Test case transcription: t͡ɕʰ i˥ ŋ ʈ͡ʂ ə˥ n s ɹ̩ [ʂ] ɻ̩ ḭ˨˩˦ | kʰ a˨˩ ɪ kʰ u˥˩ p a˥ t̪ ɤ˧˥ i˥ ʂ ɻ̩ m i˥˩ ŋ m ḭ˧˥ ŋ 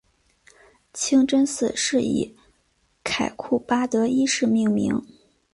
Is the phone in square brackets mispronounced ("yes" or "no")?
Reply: no